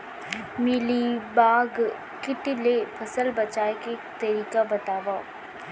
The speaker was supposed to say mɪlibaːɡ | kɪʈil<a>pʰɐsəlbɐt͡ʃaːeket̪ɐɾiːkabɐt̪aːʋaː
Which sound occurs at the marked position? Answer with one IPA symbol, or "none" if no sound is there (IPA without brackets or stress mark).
e